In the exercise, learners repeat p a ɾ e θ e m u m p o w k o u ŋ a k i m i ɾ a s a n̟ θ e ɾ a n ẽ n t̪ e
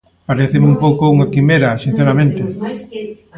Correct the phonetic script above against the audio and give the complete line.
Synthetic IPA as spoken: p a ɾ e θ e m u m p o w k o u ŋ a k i m e ɾ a s i n̟ θ e ɾ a m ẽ n t̪ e